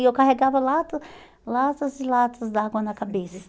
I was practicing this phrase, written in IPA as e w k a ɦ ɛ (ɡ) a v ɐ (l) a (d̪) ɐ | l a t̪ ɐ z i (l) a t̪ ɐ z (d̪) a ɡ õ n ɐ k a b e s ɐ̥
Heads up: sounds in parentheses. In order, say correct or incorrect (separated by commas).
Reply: correct, correct, incorrect, correct, correct